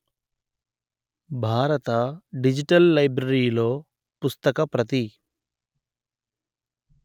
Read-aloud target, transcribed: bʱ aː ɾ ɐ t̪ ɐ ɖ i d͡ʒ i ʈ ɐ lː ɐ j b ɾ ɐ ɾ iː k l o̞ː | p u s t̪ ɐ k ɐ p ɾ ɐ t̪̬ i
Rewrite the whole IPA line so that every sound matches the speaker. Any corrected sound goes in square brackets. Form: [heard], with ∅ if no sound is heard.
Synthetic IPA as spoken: bʱ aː ɾ ɐ t̪ ɐ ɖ i d͡ʒ i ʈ ɐ lː ɐ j b ɾ ɐ ɾ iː [∅] l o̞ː | p u s t̪ ɐ k ɐ p ɾ ɐ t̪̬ i

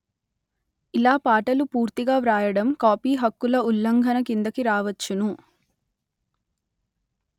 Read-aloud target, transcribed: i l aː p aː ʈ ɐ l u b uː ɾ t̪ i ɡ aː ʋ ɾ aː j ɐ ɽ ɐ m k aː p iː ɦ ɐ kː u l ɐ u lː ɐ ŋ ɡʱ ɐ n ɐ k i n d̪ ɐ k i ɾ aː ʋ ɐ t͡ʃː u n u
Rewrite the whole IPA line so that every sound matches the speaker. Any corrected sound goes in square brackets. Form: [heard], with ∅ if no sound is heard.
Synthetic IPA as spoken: i l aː p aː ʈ ɐ l u [p] uː ɾ t̪ i ɡ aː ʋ ɾ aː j ɐ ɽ ɐ m k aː p iː ɦ ɐ kː u l ɐ u lː ɐ ŋ ɡʱ ɐ n ɐ k i n d̪ ɐ k i ɾ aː ʋ ɐ t͡ʃː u n u

